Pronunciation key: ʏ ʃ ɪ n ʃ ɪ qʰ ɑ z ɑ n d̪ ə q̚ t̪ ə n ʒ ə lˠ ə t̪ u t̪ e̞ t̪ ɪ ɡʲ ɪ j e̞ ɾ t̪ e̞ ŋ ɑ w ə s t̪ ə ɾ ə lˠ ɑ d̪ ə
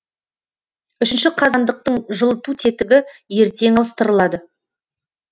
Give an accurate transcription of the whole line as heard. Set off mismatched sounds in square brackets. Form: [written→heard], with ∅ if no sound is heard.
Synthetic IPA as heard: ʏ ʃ ɪ n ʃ ɪ qʰ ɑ z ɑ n d̪ ə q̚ t̪ ə [n→ɴ] ʒ ə lˠ ə t̪ u [t̪→t̪ʰ] e̞ t̪ ɪ ɡʲ ɪ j e̞ ɾ t̪ e̞ ŋ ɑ w ə s t̪ ə ɾ ə lˠ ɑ d̪ ə